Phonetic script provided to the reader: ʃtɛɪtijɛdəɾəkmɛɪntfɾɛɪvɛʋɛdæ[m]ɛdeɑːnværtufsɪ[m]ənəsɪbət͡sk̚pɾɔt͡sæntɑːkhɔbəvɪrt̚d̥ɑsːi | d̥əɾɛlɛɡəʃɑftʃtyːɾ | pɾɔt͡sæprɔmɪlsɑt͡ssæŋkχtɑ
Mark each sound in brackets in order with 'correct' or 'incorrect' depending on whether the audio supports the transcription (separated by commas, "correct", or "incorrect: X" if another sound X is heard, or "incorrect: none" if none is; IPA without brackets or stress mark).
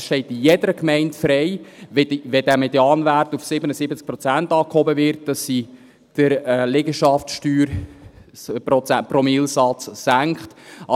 correct, incorrect: b